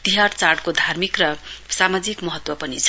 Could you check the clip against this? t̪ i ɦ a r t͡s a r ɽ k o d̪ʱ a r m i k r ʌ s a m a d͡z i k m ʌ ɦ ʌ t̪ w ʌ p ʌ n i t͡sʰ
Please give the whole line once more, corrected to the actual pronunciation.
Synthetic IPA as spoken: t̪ i ɦ a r t͡s a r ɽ k o d̪ʱ a r m i k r ʌ s a m a d͡z i k m ʌ ɦ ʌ t̪ w ʌ p ʌ n i t͡sʰ